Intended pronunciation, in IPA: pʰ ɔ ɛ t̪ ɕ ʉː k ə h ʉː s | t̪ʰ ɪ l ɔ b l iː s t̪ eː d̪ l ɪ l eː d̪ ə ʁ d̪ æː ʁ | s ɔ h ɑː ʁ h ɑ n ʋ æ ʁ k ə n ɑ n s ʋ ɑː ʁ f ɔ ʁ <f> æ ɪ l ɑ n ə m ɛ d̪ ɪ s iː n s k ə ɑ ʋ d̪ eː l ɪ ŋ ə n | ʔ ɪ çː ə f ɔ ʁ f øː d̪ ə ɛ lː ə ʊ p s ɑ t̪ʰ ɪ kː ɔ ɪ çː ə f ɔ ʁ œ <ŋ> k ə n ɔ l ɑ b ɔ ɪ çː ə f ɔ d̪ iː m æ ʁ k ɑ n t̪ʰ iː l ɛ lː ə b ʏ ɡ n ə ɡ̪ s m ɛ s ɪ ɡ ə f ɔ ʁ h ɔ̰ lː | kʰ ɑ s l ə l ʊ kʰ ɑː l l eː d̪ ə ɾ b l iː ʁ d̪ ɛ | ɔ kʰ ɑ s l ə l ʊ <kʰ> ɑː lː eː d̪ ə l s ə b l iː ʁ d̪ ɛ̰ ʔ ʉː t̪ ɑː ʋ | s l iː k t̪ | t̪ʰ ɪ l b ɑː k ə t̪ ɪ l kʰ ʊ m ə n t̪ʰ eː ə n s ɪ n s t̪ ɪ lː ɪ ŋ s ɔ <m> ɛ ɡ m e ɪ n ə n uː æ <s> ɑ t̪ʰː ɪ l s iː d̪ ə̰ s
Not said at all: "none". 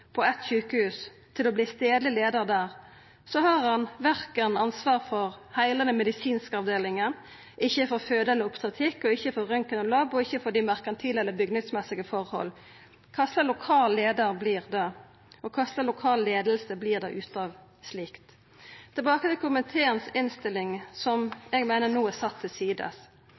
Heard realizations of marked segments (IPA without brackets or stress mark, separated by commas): h, ŋ, kʰ, m, s